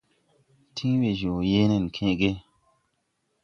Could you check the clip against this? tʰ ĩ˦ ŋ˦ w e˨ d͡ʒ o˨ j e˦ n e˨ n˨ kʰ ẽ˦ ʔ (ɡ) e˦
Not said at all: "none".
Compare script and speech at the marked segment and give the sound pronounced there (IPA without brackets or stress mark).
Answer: ɡ